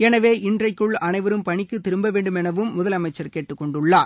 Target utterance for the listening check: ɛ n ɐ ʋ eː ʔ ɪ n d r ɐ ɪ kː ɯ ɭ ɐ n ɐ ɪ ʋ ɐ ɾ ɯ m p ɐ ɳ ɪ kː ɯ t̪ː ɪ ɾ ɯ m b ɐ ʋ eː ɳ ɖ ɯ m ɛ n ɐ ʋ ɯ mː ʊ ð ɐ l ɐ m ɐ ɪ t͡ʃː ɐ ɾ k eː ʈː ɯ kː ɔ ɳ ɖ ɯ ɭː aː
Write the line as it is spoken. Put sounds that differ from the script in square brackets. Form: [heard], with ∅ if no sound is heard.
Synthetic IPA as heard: ɛ n ɐ ʋ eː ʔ ɪ n d r ɐ ɪ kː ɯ ɭ ɐ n ɐ ɪ ʋ ɐ ɾ ɯ m p ɐ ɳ ɪ kː ɯ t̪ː ɪ ɾ ɯ m b ɐ ʋ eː ɳ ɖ ɯ m ɛ n ɐ ʋ ɯ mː ʊ ð ɐ l ɐ m ɐ ɪ t͡ʃː ɐ ɾ k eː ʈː ɯ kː ɔ ɳ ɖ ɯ ɭː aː